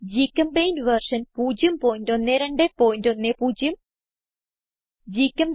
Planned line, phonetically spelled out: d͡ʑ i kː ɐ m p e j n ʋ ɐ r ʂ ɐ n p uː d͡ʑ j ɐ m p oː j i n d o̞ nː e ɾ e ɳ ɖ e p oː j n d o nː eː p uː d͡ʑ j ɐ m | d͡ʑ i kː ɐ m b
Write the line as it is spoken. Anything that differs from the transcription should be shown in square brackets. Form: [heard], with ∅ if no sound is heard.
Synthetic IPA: d͡ʑ i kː ɐ m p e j n ʋ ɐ r ʂ ɐ n p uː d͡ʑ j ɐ m p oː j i n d o̞ nː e ɾ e ɳ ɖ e p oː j n d o nː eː p uː d͡ʑ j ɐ m | d͡ʑ i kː ɐ m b